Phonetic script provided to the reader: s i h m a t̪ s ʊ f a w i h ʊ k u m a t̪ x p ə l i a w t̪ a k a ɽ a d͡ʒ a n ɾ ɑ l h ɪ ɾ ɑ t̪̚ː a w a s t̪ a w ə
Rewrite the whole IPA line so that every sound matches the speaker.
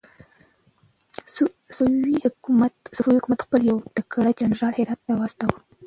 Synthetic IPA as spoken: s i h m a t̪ s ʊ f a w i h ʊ k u m a t̪ x p ə l j a w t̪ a k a ɽ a d͡ʒ a n ɾ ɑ l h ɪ ɾ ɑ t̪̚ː a w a s t̪ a w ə

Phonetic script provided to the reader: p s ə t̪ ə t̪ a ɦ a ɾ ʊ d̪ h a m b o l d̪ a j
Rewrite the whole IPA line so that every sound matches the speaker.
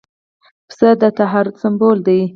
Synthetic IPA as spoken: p s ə d̪ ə t̪ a ɦ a ɾ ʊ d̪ s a m b o l d̪ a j

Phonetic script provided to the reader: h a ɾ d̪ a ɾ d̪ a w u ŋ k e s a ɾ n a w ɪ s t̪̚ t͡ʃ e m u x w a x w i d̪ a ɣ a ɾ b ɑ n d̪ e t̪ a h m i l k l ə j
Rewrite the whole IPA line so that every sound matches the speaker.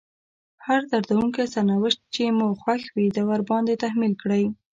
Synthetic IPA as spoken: h a ɾ d̪ a ɾ d̪ a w u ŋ k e s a ɾ n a w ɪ ʃ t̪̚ t͡ʃ e m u x w a x w i d̪ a w a ɾ b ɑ n d̪ e t̪ a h m i l k ɽ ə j

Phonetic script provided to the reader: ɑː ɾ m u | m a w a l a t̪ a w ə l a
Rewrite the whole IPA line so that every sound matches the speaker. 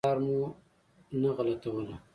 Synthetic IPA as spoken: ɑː ɾ m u | n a ɣ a l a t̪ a w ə l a

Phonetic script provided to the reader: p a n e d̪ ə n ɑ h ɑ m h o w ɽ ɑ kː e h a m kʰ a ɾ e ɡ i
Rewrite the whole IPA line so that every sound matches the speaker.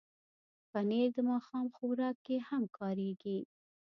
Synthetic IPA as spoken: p a n e d̪ ə m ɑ x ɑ m x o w ɾ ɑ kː e h a m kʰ ɑ ɾ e ɡ i

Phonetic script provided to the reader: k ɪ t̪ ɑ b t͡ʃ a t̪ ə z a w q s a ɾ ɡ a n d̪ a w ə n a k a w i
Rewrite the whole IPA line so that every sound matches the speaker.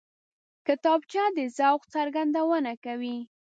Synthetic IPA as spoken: k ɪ t̪ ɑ b t͡ʃ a d̪ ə z a w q t͡s a ɾ ɡ a n d̪ a w ə n a k a w i

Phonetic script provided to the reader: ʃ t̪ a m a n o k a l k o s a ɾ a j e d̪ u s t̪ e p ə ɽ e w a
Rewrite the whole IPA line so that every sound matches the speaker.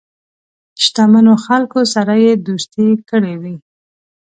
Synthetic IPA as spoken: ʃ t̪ a m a n o x a l k o s a ɾ a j e d̪ u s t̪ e k ə ɽ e w i

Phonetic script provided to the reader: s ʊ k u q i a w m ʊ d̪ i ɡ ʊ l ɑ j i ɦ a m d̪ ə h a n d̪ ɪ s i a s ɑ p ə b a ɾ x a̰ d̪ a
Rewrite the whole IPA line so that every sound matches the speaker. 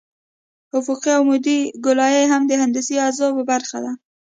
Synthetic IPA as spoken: h ʊ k u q i a w m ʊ d̪ i ɡ ʊ l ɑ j e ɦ a m d̪ ə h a n d̪ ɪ s i a z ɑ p ə b a ɾ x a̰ d̪ a

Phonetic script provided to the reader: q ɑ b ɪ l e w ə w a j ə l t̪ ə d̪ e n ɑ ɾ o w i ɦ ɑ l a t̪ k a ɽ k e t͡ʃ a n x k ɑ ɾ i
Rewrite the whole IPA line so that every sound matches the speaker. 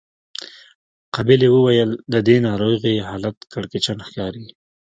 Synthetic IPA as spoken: q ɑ b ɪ l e w ə w a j ə l d̪ ə d̪ e n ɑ ɾ o ɣ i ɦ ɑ l a t̪ k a ɽ k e t͡ʃ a n x k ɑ ɾ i

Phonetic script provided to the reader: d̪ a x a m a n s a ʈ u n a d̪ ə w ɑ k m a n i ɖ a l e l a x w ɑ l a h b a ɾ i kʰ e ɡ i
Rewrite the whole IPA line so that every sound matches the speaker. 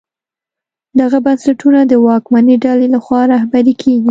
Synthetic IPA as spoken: d̪ a ɣ a b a n s a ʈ u n a d̪ ə w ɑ k m a n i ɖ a l e l a x w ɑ ɾ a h b a ɾ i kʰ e ɡ i

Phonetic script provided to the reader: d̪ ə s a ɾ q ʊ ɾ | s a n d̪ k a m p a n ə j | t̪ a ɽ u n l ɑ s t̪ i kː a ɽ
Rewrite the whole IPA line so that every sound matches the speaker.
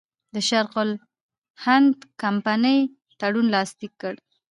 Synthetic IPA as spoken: d̪ ə ʃ a ɾ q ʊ l | h a n d̪ k a m p a n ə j | t̪ a ɽ u n l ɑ s t̪ i kː ə ɽ

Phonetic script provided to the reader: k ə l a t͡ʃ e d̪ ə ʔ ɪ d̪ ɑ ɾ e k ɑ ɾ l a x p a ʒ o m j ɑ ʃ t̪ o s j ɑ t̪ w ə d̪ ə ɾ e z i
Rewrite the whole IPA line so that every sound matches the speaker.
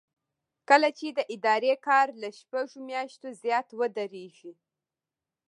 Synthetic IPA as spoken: k ə l a t͡ʃ e d̪ ə ʔ ɪ d̪ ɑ ɾ e k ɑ ɾ l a ʃ p a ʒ o m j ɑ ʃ t̪ o z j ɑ t̪ w ə d̪ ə ɾ e ʒ i

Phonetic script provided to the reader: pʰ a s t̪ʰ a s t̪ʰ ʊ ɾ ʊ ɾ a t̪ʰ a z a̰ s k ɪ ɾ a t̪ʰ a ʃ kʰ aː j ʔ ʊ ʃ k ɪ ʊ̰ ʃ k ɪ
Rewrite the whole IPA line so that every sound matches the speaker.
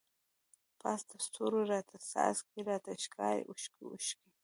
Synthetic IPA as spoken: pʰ a s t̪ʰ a s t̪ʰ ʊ ɾ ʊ ɾ a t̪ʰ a s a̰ s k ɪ ɾ a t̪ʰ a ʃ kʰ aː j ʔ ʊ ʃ k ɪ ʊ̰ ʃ k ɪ

